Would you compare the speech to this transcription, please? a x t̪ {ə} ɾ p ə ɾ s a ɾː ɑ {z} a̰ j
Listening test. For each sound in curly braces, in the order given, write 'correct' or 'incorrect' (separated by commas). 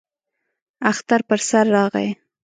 incorrect, incorrect